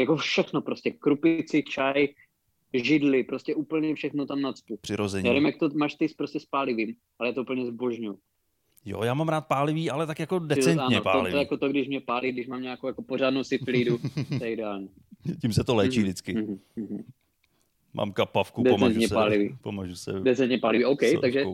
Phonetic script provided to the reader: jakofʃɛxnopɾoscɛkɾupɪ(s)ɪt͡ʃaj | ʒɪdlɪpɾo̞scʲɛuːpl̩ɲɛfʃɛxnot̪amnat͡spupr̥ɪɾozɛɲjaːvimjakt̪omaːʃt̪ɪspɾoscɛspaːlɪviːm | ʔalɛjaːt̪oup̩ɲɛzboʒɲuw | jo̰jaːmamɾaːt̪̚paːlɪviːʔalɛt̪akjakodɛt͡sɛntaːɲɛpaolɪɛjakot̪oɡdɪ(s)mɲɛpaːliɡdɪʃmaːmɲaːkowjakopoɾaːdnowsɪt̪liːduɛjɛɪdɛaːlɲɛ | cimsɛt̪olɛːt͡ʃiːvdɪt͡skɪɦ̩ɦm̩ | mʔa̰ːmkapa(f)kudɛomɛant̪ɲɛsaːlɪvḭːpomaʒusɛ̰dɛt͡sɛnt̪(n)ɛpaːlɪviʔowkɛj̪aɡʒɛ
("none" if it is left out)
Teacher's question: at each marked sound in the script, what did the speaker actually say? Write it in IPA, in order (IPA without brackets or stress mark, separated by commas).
t͡s, ʃ, f, ɲ